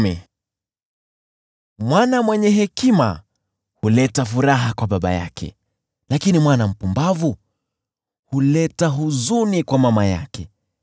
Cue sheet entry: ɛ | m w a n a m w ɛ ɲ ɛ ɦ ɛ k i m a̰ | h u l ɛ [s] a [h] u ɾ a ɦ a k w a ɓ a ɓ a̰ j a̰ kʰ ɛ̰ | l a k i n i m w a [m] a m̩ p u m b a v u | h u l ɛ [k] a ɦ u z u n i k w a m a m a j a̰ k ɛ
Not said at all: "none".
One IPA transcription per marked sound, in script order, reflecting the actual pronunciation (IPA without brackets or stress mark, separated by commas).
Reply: t, f, n, t